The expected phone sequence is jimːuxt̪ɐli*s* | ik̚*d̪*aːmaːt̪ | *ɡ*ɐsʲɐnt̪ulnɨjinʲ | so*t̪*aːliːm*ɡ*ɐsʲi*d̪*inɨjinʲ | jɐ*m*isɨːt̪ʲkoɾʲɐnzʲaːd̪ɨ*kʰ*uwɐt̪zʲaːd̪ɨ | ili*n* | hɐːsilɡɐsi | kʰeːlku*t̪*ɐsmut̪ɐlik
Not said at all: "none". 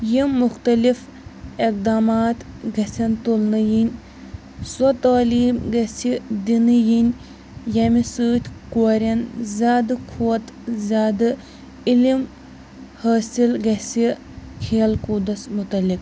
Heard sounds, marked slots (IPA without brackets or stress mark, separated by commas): f, d̪, ɡ, t̪, ɡ, d̪, m, kʰ, m, d̪